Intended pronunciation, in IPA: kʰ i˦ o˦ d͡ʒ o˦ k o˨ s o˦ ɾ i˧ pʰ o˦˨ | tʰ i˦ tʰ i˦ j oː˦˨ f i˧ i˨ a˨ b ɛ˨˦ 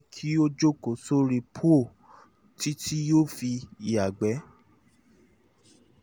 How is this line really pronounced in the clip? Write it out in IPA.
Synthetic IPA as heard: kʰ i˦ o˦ d͡ʒ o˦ k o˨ s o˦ ɾ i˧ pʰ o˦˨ | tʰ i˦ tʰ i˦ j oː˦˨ f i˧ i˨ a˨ ɡ͡b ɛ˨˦